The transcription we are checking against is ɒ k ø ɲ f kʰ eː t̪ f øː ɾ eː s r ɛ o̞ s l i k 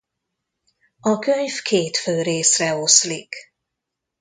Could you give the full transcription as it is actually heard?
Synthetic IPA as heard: ɒ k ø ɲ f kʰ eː t̪ f øː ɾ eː s r ɛ o̞ s l i k

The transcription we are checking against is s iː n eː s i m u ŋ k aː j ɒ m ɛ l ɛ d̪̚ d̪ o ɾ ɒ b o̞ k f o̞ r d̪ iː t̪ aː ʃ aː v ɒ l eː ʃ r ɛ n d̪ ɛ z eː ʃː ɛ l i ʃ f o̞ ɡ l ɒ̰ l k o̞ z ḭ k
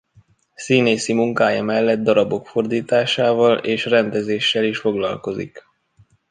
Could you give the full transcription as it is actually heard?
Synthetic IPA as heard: s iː n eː s i m u ŋ k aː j ɒ m ɛ lː ɛ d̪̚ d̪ ɒ ɾ ɒ b o̞ k f o̞ r d̪ iː t̪ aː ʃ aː v ɒ l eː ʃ r ɛ n d̪ ɛ z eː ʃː ɛ l i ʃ f o̞ ɡ l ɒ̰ l k o̞ z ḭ k

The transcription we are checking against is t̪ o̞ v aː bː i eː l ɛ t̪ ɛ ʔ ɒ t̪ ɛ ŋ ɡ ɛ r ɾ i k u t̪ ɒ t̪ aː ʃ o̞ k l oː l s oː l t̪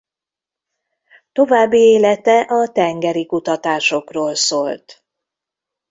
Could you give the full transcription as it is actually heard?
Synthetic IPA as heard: t̪ o̞ v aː bː i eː l ɛ t̪ ɛ ʔ ɒ t̪ ɛ ŋ ɡ ɛ ɾ i k u t̪ ɒ t̪ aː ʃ o̞ k r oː l s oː l t̪

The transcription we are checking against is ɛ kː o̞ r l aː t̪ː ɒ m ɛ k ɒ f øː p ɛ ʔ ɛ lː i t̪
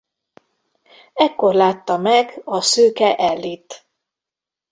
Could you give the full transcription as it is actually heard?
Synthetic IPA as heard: ɛ kː o̞ r l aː t̪ː ɒ m ɛ ɡ ɒ s øː k ɛ ʔ ɛ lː i t̪

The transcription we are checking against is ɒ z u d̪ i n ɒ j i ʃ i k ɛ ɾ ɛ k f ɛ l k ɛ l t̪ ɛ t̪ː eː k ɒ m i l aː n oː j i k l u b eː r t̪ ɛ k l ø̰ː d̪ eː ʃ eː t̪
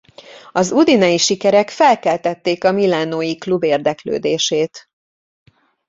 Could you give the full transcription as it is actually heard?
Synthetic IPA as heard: ɒ z u d̪ i n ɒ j i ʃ i k ɛ ɾ ɛ k f ɛ l k ɛ l t̪ ɛ t̪ː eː k ɒ m i l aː n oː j i k l u b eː r d̪ ɛ k l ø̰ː d̪ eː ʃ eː t̪

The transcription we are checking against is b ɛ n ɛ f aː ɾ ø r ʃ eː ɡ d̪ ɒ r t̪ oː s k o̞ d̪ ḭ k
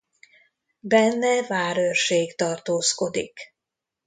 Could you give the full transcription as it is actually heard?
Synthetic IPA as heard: b ɛ nː ɛ v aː ɾ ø r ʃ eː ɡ t̪ ɒ r t̪ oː s k o̞ d̪ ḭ k

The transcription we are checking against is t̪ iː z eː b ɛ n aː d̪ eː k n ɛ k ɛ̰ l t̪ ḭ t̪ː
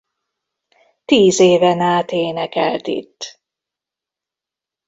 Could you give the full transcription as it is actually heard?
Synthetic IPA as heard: t̪ iː z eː v ɛ n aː t̪ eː n ɛ k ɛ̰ l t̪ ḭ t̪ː

